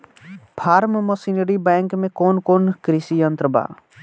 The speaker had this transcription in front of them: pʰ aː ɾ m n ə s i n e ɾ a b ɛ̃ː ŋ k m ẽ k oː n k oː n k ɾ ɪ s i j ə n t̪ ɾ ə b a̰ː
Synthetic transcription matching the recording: pʰ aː ɾ m m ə s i n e ɾ i b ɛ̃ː ŋ k m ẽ k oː n k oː n k ɾ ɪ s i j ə n t̪ ɾ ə b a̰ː